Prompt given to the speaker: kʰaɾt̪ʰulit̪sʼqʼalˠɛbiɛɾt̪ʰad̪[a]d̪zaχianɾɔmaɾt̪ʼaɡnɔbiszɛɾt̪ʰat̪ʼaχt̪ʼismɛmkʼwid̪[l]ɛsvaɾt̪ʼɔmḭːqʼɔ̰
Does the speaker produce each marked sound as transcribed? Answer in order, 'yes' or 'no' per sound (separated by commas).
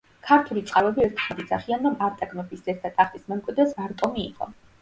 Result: no, no